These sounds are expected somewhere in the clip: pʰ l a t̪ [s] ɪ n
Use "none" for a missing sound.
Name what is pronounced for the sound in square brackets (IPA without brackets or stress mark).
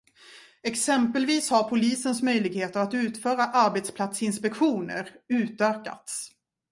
s